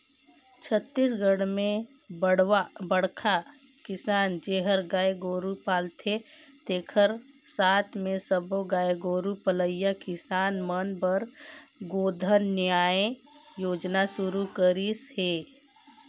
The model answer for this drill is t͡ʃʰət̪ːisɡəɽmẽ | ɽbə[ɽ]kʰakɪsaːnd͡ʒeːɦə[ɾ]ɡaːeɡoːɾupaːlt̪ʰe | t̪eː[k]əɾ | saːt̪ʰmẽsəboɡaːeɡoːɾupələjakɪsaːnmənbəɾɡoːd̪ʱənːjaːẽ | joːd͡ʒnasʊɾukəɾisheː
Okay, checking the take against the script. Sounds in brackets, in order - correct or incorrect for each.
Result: correct, correct, incorrect: kʰ

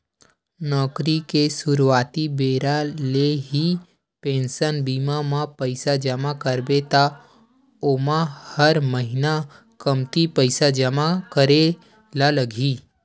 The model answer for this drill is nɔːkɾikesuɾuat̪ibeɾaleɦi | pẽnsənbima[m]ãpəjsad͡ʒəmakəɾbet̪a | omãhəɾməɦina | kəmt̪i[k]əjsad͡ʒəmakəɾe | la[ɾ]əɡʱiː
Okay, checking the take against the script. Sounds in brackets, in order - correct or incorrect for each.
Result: correct, incorrect: p, incorrect: l

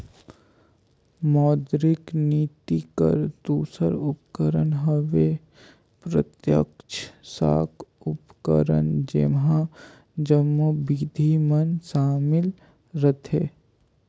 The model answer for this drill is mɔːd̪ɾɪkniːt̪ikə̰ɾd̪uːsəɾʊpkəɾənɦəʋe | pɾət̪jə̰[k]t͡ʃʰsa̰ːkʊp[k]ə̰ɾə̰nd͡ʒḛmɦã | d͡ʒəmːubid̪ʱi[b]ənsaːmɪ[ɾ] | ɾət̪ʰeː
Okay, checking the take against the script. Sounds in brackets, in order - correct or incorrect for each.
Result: correct, correct, incorrect: m, incorrect: l

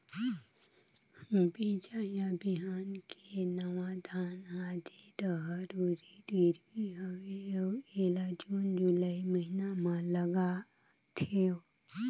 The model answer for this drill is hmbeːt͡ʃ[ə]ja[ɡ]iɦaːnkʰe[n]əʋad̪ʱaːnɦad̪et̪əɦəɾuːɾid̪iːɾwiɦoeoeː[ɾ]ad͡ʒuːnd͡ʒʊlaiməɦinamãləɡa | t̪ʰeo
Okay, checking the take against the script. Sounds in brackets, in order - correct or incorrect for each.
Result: incorrect: a, incorrect: b, correct, incorrect: l

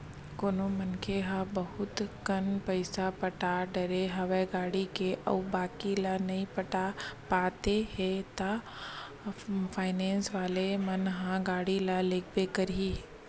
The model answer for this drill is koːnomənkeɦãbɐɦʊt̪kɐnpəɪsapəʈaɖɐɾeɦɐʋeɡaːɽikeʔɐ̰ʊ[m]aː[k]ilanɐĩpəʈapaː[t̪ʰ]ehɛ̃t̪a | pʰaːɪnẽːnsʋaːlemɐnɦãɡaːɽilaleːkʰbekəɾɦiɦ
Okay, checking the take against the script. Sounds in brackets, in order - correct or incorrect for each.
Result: incorrect: b, correct, incorrect: t̪

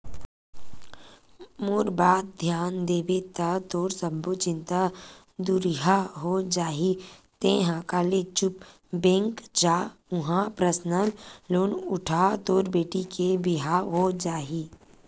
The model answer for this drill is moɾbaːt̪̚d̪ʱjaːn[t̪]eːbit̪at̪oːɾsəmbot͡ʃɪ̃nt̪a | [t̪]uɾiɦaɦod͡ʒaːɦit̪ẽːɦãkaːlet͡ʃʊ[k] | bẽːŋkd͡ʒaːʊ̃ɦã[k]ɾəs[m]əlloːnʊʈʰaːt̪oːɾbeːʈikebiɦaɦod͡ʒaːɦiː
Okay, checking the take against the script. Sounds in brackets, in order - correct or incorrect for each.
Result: incorrect: d̪, incorrect: d̪, incorrect: p, incorrect: p, incorrect: n

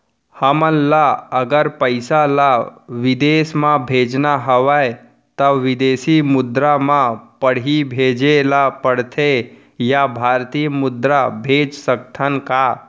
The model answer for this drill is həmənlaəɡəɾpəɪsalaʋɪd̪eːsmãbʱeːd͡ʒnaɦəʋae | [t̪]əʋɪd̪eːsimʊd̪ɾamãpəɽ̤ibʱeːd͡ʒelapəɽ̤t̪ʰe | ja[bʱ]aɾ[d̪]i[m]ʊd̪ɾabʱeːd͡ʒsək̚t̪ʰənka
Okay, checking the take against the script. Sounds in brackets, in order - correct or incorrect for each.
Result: correct, correct, incorrect: t̪, correct

